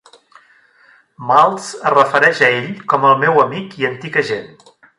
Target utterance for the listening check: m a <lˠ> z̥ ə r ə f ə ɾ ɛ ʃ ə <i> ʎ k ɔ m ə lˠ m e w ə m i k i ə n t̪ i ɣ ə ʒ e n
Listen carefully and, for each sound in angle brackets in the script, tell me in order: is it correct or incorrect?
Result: correct, incorrect: e

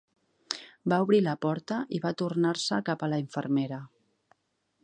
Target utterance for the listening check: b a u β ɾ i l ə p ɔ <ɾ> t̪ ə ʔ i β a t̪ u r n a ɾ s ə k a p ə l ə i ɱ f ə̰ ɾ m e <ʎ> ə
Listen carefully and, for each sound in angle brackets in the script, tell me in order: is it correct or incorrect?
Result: correct, incorrect: ɾ

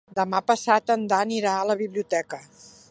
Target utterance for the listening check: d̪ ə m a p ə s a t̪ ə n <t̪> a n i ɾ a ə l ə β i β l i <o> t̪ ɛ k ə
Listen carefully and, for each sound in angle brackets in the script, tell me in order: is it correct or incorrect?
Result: incorrect: d̪, incorrect: u

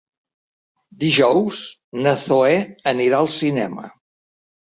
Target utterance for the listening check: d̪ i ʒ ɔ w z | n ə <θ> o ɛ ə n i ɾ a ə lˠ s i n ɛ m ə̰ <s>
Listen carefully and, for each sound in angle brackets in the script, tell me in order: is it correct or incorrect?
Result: correct, incorrect: none

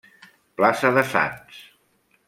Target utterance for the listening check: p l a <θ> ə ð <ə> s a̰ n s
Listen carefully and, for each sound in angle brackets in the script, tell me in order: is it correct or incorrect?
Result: incorrect: s, correct

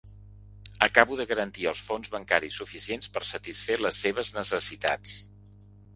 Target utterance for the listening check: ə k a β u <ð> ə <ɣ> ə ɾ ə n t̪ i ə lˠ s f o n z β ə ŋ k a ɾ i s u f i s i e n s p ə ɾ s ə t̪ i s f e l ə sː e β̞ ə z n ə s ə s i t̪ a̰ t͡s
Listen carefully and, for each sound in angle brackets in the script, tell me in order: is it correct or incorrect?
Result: correct, correct

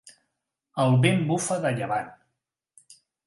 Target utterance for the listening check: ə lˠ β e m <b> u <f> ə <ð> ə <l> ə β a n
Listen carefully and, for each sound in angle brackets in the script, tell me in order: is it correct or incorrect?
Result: correct, correct, correct, incorrect: ʎ

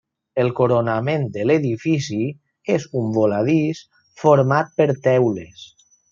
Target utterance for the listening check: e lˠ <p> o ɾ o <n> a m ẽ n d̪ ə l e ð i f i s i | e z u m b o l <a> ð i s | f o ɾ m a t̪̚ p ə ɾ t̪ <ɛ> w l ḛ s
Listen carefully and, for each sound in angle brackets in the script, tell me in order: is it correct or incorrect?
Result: incorrect: k, correct, correct, correct

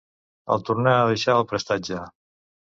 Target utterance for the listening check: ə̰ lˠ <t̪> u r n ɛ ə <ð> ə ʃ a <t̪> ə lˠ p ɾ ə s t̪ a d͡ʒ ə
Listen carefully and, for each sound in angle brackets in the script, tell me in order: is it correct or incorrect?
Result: correct, correct, incorrect: none

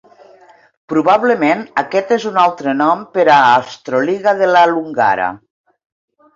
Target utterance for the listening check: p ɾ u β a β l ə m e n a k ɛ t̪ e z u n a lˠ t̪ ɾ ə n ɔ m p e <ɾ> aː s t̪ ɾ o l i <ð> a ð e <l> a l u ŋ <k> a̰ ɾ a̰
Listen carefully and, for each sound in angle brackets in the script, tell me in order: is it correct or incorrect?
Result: correct, incorrect: ɣ, correct, incorrect: ɡ

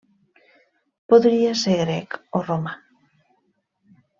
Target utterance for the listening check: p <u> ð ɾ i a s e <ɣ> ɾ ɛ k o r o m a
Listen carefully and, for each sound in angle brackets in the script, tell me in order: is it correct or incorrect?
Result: incorrect: o, correct

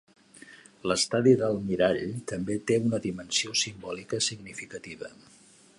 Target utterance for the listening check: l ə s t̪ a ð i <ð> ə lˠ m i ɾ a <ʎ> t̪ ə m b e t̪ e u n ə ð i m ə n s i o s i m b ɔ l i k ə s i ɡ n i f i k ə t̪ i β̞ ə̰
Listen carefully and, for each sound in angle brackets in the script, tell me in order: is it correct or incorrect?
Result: correct, correct

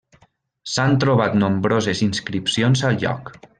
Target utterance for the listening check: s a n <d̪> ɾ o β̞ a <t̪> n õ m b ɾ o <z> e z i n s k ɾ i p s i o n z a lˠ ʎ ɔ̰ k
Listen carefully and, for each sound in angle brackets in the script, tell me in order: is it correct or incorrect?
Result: incorrect: t̪, correct, correct

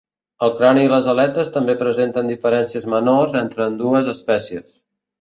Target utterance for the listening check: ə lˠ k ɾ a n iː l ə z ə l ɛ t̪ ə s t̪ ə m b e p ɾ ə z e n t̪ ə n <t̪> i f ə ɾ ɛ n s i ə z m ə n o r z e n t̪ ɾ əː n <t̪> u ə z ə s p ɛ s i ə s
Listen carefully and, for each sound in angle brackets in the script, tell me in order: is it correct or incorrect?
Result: incorrect: d̪, incorrect: d̪

